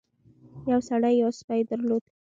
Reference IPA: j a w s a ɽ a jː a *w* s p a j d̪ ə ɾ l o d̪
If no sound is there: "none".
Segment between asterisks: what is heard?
w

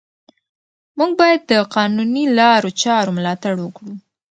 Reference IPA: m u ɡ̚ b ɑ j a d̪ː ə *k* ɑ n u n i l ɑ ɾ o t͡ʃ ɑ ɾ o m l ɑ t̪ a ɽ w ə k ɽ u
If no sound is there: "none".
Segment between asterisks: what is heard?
q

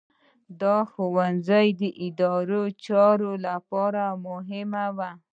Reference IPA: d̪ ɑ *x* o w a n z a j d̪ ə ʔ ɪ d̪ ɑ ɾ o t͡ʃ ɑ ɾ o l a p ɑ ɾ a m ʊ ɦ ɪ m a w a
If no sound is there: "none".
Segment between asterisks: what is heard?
x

